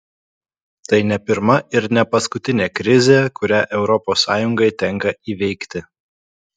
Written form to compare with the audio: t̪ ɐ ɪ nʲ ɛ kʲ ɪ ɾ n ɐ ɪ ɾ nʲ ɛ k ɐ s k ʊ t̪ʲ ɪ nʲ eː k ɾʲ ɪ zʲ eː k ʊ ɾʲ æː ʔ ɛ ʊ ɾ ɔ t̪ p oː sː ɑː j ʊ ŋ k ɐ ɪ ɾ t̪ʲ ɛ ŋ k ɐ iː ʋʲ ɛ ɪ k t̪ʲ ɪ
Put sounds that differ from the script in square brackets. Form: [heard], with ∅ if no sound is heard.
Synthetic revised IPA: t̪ ɐ ɪ nʲ ɛ [pʲ] ɪ ɾ [m] ɐ ɪ ɾ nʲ ɛ [p] ɐ s k ʊ t̪ʲ ɪ nʲ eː k ɾʲ ɪ zʲ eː k ʊ ɾʲ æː ʔ ɛ ʊ ɾ ɔ [∅] p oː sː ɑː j ʊ ŋ [ɡ] ɐ ɪ [∅] t̪ʲ ɛ ŋ k ɐ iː ʋʲ ɛ ɪ k t̪ʲ ɪ